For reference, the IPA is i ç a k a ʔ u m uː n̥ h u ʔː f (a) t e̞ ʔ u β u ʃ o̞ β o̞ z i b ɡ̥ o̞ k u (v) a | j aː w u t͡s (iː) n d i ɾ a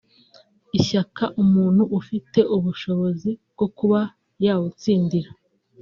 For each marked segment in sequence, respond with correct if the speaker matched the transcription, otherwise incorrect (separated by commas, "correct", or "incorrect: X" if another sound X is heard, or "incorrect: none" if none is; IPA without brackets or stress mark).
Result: incorrect: i, incorrect: β, correct